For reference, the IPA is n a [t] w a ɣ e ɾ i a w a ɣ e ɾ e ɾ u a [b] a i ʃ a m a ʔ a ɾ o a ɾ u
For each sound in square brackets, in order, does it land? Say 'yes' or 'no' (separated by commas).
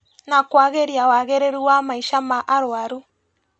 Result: no, no